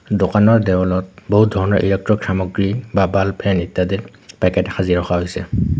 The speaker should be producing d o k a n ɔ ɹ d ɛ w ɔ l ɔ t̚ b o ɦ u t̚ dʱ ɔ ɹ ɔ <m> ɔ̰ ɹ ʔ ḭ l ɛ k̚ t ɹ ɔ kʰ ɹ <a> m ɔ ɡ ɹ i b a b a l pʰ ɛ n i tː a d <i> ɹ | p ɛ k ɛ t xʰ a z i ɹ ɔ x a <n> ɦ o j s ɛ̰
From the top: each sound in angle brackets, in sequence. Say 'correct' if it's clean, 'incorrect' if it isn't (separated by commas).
incorrect, correct, correct, incorrect